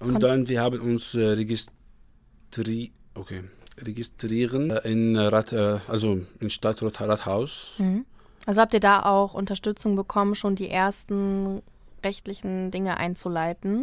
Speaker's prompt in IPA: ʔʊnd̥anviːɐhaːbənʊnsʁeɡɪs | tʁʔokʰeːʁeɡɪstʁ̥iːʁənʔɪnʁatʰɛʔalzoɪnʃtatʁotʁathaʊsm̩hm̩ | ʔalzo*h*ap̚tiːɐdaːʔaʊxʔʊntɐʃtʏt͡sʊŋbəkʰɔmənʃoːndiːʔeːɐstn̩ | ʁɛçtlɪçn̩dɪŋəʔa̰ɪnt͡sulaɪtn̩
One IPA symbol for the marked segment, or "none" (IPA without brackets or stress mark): h